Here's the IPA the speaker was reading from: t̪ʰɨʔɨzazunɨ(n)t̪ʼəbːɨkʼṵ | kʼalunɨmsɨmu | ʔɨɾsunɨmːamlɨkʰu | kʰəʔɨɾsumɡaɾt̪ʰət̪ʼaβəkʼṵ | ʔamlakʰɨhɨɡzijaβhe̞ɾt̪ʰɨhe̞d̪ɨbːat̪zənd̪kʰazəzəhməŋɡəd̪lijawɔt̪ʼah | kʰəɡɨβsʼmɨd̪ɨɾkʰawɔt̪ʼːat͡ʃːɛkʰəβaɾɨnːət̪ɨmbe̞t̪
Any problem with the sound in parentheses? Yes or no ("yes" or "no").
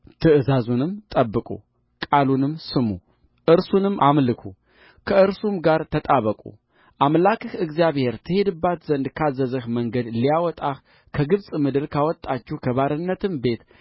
yes